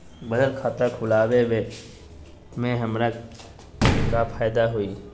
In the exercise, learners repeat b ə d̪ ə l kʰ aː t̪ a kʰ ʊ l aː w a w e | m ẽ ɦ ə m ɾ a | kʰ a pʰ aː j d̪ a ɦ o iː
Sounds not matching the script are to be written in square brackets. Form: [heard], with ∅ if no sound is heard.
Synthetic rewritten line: b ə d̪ ə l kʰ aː t̪ a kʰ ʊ l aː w [e] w e | m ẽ ɦ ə m ɾ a | [k] a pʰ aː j d̪ a ɦ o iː